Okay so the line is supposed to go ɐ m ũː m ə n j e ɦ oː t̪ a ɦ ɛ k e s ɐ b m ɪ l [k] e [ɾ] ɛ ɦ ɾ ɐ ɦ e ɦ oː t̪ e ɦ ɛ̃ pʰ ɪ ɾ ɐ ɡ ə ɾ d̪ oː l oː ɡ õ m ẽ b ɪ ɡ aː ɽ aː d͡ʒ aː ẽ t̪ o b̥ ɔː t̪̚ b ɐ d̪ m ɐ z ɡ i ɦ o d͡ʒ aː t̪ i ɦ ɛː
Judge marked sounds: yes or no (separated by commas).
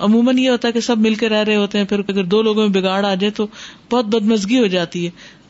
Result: yes, yes